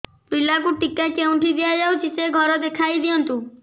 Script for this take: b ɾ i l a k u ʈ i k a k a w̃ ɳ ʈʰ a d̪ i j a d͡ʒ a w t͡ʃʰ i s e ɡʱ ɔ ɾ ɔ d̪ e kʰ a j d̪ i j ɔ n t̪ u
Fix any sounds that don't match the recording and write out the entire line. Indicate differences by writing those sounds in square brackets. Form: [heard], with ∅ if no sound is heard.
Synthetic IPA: [p] ɾ i l a k u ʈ i k a k [e] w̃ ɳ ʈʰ [i] d̪ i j a d͡ʒ a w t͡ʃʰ i s e ɡʱ ɔ ɾ ɔ d̪ e kʰ a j d̪ i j ɔ n t̪ u